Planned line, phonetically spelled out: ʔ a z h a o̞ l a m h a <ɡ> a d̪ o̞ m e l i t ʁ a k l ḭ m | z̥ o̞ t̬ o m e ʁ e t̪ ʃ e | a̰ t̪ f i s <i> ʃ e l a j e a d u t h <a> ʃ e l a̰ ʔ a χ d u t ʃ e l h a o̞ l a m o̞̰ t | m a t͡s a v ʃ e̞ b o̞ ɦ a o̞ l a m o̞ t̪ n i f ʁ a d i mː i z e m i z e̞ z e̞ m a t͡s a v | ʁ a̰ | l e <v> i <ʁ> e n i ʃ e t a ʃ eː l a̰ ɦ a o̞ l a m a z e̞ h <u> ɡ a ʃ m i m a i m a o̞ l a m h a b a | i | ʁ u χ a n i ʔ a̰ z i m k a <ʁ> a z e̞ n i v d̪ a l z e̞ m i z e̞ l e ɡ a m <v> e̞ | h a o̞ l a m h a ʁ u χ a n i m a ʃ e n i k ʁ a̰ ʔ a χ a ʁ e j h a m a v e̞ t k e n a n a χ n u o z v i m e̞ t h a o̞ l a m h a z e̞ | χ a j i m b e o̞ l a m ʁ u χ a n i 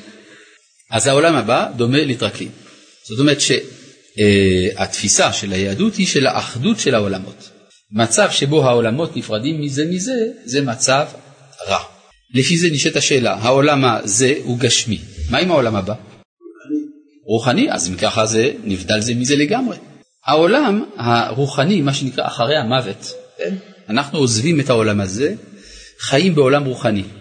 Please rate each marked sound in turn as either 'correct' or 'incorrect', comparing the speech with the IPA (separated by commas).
incorrect, incorrect, incorrect, incorrect, incorrect, correct, incorrect, incorrect